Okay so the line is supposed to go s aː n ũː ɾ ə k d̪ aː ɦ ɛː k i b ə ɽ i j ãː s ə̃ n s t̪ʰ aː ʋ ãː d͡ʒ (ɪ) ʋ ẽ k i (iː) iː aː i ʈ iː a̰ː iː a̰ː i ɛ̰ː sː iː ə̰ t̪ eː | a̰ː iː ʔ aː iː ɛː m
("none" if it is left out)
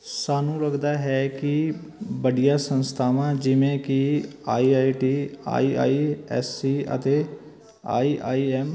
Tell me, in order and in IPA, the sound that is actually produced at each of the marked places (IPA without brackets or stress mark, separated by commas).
ɪ, aː